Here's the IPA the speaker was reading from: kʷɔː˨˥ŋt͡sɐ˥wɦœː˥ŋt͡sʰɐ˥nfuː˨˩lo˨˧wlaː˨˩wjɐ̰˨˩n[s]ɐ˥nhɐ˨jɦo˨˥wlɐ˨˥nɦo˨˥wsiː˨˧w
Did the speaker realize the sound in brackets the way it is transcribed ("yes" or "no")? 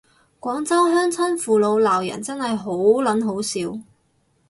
no